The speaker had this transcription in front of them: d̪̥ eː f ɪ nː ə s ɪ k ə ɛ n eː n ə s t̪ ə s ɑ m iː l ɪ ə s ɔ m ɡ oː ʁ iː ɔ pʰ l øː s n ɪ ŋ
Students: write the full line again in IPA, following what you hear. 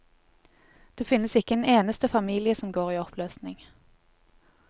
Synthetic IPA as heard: d̪̥ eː f ɪ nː ə s ɪ k ə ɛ n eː n ə s t̪ ə f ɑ m iː l ɪ ə s ɔ m ɡ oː ʁ iː ɔ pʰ l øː s n ɪ ŋ